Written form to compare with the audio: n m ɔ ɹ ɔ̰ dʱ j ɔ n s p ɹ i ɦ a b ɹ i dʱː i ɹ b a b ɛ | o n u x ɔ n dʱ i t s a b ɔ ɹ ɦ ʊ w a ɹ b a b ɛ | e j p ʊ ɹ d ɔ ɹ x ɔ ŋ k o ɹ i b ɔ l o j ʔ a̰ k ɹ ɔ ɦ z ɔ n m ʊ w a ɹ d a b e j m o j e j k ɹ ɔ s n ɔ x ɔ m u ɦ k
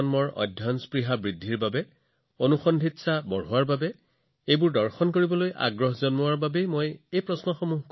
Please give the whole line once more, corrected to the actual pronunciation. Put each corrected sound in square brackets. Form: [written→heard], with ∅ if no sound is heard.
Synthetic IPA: n m ɔ ɹ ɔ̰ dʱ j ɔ n s p ɹ i ɦ a b ɹ i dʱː i ɹ b a b ɛ | o n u x ɔ n dʱ i t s a b ɔ ɹ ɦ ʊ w a ɹ b a b ɛ | e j [p→b] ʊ ɹ d ɔ ɹ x ɔ [ŋ→n] k o ɹ i b ɔ l o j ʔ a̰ [k→ɡ] ɹ ɔ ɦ z ɔ n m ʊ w a ɹ [d→b] a b e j m o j e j [k→p] ɹ ɔ s n ɔ x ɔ m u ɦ k